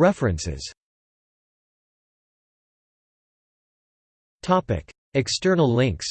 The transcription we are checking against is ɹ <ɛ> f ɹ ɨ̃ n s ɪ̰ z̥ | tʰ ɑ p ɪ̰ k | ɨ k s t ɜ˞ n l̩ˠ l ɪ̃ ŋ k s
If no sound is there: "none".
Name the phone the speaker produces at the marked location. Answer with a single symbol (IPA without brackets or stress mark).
ɛ